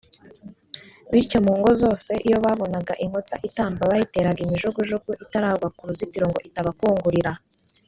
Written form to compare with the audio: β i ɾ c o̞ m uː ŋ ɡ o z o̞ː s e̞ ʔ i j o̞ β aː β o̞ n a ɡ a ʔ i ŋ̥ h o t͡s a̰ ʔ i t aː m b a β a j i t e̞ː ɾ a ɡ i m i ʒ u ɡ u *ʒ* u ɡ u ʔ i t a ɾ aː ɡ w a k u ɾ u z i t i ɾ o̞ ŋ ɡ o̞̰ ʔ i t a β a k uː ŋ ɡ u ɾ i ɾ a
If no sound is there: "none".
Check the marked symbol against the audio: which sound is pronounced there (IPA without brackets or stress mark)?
ʒ